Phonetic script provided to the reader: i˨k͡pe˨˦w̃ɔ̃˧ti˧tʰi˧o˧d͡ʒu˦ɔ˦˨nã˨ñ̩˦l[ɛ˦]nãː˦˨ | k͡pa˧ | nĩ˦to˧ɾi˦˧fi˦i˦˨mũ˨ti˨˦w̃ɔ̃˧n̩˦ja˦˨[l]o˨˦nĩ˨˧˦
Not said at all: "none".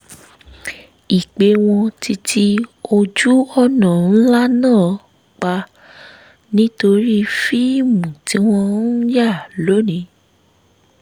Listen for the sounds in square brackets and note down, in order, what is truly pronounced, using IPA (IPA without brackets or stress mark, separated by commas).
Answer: a˦, l